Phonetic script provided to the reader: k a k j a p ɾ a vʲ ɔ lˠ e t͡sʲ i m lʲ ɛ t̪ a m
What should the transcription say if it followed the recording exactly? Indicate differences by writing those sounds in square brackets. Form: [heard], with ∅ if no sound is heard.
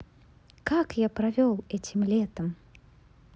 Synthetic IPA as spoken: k a k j a p ɾ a vʲ ɔ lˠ [ɛ] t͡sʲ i m lʲ ɛ t̪ [ɐ] m